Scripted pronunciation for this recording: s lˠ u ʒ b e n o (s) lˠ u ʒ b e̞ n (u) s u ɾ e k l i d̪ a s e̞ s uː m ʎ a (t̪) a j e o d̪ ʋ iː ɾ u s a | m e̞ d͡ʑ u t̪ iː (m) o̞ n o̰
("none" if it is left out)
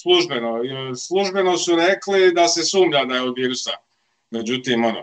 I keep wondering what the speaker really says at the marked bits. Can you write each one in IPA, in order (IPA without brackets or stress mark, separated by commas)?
s, o, d̪, m